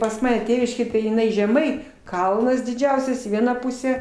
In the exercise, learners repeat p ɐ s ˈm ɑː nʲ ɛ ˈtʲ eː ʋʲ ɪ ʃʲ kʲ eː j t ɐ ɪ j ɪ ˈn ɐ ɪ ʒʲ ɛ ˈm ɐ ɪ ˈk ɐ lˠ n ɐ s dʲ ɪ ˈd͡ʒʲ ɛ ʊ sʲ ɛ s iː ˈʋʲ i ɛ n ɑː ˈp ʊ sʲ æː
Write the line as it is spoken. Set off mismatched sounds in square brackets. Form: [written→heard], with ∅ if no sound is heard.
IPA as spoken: p ɐ s ˈm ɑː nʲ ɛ ˈtʲ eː ʋʲ ɪ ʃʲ kʲ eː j t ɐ ɪ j ɪ ˈn ɐ ɪ ʒʲ ɛ ˈm ɐ ɪ ˈk ɐ lˠ n ɐ s dʲ ɪ ˈd͡ʒʲ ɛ ʊ sʲ ɛ s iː ˈʋʲ i ɛ n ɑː ˈp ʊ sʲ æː